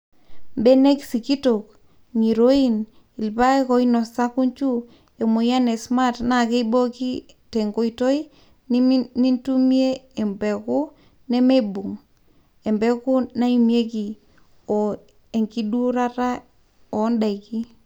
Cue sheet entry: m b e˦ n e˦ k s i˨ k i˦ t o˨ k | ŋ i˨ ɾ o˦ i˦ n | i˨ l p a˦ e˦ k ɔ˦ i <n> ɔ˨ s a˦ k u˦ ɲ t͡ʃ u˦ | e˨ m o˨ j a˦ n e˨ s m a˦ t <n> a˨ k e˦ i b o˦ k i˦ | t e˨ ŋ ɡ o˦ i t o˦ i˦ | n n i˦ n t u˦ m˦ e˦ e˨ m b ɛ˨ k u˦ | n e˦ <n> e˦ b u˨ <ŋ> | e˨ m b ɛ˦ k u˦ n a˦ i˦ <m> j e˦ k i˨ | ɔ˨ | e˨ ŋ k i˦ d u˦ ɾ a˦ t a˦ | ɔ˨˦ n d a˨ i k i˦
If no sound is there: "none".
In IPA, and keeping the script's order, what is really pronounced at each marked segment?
n, n, m, ŋ, m

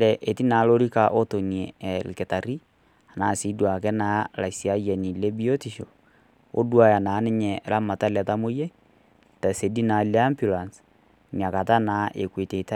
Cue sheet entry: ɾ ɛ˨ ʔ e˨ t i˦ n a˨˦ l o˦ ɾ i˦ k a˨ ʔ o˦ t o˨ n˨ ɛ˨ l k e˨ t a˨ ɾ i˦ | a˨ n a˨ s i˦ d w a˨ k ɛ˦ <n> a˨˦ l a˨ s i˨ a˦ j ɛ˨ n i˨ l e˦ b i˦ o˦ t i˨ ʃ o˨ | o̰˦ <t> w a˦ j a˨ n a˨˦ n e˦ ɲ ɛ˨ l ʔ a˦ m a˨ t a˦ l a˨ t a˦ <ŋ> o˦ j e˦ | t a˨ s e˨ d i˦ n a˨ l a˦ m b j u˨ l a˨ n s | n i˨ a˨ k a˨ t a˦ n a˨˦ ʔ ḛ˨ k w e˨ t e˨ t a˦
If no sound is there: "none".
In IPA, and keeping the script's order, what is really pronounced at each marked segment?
n, d, m

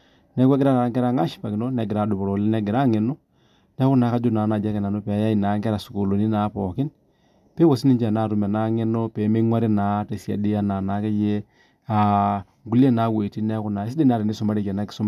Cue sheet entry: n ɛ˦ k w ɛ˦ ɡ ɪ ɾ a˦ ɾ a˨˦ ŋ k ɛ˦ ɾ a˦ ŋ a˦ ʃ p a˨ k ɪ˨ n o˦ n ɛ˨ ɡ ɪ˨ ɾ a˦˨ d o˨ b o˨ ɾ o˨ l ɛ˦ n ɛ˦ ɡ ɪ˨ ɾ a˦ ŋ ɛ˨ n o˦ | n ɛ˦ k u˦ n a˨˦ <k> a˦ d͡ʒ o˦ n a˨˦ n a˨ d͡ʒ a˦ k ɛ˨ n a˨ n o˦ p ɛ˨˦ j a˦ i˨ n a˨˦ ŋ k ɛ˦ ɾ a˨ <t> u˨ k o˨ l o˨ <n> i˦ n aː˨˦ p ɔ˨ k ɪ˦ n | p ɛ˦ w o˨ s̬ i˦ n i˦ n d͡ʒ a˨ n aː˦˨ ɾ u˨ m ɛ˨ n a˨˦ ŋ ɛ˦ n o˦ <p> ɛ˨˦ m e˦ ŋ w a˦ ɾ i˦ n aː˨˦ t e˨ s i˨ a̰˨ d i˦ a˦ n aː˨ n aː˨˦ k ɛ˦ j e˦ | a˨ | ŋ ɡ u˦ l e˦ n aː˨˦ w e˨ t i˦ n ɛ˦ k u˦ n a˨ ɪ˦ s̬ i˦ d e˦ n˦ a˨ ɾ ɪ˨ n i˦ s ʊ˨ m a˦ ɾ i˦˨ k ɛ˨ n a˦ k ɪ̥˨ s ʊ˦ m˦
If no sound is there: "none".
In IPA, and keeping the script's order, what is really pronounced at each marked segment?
k, s, n, p

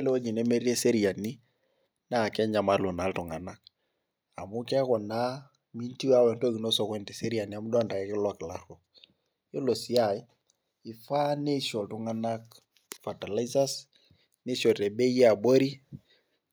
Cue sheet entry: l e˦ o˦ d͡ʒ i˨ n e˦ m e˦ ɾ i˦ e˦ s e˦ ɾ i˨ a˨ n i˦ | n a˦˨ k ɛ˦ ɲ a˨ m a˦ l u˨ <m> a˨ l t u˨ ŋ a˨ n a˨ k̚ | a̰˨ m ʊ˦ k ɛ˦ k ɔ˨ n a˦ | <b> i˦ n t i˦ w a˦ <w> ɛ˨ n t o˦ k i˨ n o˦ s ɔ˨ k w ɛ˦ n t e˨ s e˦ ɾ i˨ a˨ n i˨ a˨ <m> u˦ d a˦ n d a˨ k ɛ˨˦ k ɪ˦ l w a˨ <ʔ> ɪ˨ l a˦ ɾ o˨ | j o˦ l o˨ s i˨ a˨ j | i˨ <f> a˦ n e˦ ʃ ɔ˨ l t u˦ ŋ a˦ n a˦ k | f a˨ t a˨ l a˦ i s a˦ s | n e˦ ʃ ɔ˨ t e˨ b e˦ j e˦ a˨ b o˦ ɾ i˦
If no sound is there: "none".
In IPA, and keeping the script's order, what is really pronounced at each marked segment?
n, m, w, m, k, f

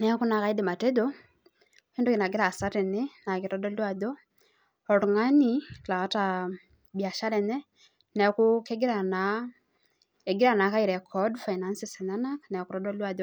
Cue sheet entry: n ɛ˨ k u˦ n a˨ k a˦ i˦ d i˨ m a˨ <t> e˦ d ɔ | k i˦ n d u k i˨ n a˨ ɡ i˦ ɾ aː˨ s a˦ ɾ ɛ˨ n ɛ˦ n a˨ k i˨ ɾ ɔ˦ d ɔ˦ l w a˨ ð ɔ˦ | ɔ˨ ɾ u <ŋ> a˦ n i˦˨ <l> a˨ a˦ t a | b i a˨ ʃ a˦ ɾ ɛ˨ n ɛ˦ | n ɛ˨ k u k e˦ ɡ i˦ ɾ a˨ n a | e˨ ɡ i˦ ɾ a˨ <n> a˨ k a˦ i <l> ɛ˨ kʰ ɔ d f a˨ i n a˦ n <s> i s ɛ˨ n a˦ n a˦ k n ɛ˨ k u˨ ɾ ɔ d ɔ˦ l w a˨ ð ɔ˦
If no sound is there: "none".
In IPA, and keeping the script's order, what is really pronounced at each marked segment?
t, ŋ, l, n, ɾ, s

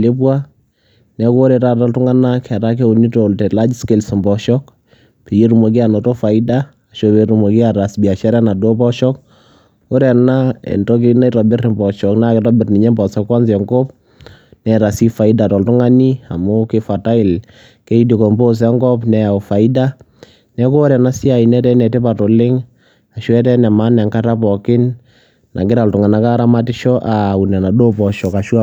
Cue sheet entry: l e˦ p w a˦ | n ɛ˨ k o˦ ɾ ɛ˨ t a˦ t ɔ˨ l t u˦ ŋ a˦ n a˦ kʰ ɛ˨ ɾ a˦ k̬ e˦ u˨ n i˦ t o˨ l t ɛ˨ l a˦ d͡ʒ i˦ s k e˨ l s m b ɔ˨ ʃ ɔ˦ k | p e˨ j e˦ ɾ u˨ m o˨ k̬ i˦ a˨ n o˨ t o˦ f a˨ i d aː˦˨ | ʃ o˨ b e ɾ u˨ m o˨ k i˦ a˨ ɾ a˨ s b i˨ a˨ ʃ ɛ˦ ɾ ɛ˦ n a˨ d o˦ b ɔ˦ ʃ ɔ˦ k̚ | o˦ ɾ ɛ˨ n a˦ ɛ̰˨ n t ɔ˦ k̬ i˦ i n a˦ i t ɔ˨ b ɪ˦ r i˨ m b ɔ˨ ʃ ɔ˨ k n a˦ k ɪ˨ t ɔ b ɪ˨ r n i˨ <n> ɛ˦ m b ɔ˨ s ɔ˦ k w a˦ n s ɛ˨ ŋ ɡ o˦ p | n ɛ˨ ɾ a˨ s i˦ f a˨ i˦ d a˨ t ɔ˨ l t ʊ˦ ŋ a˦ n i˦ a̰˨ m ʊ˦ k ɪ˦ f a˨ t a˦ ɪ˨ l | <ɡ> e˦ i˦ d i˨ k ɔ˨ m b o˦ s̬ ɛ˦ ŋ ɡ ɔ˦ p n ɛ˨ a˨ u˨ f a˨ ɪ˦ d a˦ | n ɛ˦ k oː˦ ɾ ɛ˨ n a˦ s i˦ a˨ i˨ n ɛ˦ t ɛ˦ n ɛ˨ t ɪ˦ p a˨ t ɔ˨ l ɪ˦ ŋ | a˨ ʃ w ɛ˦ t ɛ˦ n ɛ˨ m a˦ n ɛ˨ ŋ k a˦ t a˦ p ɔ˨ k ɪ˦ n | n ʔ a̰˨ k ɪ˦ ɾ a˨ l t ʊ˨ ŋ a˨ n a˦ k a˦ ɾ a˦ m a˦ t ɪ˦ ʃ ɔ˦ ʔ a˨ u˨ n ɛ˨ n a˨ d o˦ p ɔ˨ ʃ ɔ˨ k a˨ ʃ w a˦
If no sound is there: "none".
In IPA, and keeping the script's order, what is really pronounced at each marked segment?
ɲ, k

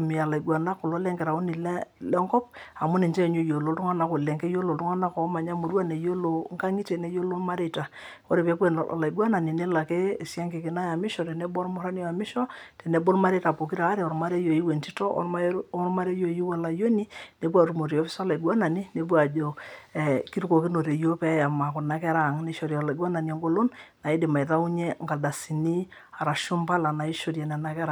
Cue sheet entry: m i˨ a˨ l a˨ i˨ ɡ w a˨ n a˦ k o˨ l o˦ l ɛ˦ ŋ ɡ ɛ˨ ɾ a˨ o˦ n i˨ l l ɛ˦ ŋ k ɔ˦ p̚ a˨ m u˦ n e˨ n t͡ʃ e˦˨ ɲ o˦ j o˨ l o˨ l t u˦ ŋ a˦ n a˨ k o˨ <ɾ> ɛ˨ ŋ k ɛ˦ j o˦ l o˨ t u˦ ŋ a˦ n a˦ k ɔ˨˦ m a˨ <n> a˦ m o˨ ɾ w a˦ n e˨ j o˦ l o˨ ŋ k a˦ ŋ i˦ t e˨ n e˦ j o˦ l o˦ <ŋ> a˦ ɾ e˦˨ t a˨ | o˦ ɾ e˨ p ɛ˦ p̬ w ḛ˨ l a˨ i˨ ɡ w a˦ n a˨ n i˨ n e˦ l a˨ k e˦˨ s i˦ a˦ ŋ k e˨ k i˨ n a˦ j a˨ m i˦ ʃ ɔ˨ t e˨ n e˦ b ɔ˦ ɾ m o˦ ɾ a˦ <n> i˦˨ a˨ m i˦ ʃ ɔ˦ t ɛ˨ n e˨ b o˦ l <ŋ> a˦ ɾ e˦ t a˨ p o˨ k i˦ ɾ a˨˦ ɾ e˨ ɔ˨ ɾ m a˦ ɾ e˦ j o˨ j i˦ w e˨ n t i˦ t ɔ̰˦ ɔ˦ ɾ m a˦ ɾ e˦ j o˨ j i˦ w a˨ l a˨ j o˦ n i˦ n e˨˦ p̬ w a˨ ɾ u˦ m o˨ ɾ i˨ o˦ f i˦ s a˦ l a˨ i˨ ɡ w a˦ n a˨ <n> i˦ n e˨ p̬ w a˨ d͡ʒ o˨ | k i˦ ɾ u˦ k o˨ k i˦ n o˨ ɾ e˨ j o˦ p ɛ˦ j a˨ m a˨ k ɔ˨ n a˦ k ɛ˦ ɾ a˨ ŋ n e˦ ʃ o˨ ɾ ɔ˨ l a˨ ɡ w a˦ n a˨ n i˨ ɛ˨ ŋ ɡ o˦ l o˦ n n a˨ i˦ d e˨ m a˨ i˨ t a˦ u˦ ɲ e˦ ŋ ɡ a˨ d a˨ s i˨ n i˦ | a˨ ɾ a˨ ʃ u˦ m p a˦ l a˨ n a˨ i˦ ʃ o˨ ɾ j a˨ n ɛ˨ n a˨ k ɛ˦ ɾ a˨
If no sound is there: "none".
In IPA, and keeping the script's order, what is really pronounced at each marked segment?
l, ɲ, m, n, m, n

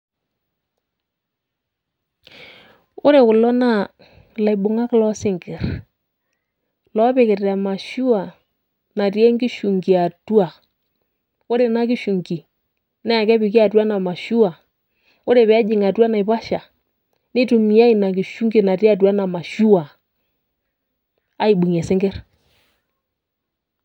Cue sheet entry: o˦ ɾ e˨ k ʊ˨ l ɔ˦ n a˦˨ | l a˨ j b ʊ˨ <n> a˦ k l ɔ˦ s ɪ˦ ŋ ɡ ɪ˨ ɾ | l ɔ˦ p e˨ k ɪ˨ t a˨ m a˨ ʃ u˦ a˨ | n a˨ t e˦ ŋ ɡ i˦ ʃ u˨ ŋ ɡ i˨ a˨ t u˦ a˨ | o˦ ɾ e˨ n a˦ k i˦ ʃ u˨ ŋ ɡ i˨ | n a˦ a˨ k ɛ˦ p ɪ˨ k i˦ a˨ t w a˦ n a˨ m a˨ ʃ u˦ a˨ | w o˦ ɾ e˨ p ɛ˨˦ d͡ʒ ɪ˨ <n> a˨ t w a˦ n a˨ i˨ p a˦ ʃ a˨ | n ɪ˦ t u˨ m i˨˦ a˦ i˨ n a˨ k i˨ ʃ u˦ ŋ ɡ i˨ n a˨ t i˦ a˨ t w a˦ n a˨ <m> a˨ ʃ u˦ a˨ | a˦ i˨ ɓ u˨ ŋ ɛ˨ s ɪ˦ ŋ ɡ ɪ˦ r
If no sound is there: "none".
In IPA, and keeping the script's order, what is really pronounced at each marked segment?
ŋ, ŋ, m

